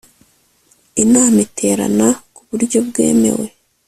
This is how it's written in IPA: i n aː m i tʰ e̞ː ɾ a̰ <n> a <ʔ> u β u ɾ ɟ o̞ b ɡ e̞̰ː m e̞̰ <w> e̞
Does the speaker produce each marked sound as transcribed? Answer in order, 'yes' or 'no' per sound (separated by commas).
yes, no, yes